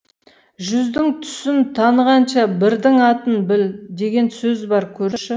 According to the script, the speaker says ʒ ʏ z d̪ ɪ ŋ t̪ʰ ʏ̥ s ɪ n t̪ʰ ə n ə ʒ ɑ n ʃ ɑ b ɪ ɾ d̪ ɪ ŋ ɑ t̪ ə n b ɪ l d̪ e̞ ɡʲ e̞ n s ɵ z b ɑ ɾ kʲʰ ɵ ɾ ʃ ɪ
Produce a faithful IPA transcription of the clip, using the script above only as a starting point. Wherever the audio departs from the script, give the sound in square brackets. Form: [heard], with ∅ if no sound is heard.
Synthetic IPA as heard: ʒ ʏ z d̪ ɪ ŋ t̪ʰ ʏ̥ s ɪ n t̪ʰ [ɑ] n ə [ʁ] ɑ n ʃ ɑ b ɪ ɾ d̪ ɪ ŋ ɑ t̪ ə n b ɪ l d̪ e̞ ɡʲ e̞ n s ɵ z b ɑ ɾ kʲʰ ɵ ɾ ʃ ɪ